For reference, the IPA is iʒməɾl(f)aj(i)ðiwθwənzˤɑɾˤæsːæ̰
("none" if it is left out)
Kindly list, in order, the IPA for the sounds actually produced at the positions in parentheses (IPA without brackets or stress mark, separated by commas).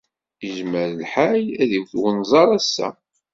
ħ, æ